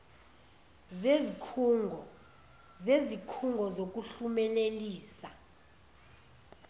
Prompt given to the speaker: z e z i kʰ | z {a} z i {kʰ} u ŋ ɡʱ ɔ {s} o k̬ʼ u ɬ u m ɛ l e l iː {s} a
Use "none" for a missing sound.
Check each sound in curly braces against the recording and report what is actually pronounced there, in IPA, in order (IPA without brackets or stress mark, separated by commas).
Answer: e, kʰ, z, s